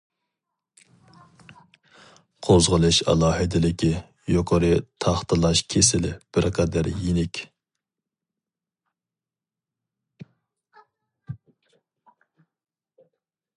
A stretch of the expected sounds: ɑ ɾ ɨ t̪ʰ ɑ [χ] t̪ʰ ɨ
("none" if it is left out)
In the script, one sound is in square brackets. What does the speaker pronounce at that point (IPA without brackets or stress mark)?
χ